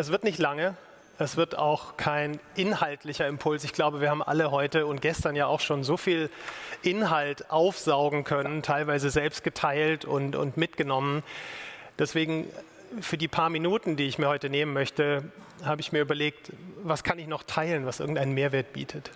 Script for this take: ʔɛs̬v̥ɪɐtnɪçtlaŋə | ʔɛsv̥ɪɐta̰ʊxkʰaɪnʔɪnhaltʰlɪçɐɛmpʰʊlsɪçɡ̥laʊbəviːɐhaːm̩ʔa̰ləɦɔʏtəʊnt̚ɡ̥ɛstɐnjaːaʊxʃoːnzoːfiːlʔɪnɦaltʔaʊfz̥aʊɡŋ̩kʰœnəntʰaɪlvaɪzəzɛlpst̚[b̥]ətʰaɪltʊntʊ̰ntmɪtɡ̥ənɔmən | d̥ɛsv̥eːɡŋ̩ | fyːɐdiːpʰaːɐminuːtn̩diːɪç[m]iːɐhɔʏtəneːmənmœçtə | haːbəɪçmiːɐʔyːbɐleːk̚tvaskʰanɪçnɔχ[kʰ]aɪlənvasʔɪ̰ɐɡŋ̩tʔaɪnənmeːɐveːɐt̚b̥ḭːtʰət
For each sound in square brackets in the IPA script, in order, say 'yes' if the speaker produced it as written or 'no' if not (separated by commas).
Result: no, yes, no